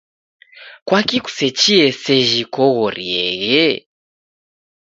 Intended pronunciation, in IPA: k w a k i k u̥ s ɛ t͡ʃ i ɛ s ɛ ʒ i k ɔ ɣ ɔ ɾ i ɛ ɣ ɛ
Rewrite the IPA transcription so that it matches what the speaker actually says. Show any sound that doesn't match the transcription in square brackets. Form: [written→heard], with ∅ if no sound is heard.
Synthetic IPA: k w a k i k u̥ s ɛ t͡ʃ i ɛ s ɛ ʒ i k ɔ ɣ ɔ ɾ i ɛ ɣ ɛ